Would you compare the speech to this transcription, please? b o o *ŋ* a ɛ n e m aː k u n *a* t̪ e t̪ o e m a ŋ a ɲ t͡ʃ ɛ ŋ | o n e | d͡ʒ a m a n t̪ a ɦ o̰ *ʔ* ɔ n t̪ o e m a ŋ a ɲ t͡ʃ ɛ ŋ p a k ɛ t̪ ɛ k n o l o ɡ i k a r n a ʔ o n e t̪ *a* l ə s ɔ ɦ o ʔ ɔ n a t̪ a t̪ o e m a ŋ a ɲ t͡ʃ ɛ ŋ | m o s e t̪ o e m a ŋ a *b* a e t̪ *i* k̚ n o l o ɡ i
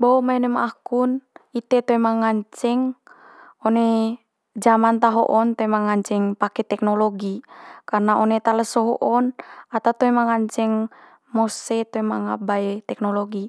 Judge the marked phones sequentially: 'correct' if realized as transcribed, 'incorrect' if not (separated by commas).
incorrect, incorrect, correct, correct, correct, incorrect